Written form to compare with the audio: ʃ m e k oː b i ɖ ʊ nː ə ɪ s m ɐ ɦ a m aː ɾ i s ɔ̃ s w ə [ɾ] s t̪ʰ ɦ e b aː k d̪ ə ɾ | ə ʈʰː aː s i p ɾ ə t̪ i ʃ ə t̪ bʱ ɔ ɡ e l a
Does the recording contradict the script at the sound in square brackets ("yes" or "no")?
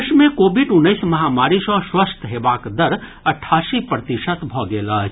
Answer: yes